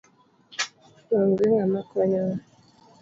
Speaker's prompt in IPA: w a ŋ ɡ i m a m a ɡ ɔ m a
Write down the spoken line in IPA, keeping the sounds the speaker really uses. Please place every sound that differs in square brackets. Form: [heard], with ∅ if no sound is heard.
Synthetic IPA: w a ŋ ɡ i [ŋ] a m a [k] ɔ [ɲ] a